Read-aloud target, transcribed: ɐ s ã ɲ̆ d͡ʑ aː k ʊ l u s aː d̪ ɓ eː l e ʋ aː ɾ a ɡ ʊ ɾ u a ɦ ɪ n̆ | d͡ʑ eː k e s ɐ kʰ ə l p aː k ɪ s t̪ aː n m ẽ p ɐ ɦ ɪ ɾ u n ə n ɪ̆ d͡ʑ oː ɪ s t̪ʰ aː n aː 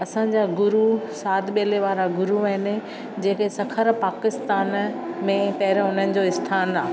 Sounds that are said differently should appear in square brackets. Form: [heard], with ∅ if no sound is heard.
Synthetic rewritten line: ɐ s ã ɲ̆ d͡ʑ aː [ɡ] ʊ [ɾ] u s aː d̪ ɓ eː l e ʋ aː ɾ a ɡ ʊ ɾ u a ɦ ɪ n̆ | d͡ʑ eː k e s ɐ kʰ ə [ɾ] p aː k ɪ s t̪ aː n m ẽ p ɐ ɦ ɪ ɾ [ʊ] n ə n ɪ̆ d͡ʑ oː ɪ s t̪ʰ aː n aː

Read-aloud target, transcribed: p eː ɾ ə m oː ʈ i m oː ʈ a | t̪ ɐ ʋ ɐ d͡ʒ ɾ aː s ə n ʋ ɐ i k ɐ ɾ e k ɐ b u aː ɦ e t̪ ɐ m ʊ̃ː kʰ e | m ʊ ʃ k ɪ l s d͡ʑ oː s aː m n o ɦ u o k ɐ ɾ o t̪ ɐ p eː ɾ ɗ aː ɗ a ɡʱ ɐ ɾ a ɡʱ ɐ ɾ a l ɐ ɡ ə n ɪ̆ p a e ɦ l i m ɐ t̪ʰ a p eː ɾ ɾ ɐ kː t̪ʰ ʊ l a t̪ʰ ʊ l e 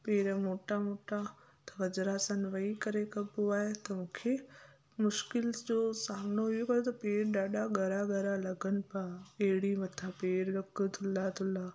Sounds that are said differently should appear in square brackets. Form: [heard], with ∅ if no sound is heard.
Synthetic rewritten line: p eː ɾ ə m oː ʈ [a] m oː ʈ a | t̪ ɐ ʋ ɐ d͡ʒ ɾ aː s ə n ʋ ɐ i k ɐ ɾ e k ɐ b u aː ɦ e t̪ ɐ m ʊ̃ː kʰ e | m ʊ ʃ k ɪ l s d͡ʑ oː s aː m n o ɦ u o k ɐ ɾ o t̪ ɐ p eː ɾ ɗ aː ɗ a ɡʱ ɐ ɾ a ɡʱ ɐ ɾ a l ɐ ɡ ə n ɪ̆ p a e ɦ [ɽ] i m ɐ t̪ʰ a p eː ɾ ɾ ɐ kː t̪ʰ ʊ l a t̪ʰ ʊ l [a]

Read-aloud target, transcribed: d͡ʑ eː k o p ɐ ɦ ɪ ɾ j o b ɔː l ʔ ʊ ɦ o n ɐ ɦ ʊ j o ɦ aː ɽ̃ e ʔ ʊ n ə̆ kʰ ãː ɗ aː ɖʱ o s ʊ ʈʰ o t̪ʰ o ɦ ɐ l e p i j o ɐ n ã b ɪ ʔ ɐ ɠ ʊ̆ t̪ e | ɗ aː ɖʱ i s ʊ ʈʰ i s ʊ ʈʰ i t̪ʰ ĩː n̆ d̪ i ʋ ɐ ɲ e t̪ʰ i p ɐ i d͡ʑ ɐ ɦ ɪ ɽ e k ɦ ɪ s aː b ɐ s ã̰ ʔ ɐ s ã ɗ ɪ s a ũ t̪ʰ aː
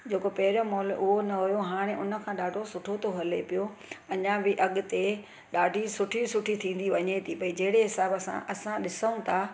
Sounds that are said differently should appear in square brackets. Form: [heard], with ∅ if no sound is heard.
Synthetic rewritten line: d͡ʑ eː k o p ɐ ɦ ɪ ɾ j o [m] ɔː l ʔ ʊ ɦ o n ɐ ɦ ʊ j o ɦ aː ɽ̃ e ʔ ʊ n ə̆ kʰ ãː ɗ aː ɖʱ o s ʊ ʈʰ o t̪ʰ o ɦ ɐ l e p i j o ɐ [ɲ] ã b ɪ ʔ ɐ ɠ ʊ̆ t̪ e | ɗ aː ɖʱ i s ʊ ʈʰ i s ʊ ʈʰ i t̪ʰ ĩː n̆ d̪ i ʋ ɐ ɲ e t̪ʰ i p ɐ i d͡ʑ ɐ ɦ ɪ ɽ e [∅] ɦ ɪ s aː b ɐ s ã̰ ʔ ɐ s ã ɗ ɪ s [ə] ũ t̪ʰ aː

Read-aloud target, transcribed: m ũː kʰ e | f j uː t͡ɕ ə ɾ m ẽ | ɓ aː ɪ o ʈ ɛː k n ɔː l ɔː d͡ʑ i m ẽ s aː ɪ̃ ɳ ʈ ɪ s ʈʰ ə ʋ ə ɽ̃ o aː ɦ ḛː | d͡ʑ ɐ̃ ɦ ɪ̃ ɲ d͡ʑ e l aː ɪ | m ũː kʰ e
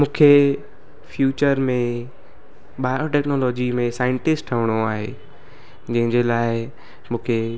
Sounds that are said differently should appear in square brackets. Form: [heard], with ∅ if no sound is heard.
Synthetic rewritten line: m ũː kʰ e | f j uː t͡ɕ ə ɾ m ẽ | ɓ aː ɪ o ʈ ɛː k n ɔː l ɔː d͡ʑ i m ẽ s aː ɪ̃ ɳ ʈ ɪ s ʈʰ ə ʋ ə ɽ̃ o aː ɦ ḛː | d͡ʑ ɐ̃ ɦ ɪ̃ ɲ d͡ʑ e l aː ɪ | m ũː kʰ e

